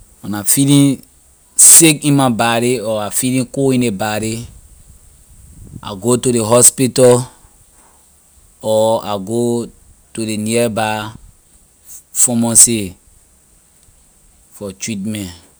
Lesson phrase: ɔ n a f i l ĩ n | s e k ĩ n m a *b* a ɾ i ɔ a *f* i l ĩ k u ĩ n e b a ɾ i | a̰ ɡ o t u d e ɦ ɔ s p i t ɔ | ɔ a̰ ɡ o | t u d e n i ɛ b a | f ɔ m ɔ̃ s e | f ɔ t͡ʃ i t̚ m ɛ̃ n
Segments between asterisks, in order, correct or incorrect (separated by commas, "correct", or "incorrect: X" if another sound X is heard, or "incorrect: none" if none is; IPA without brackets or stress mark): correct, correct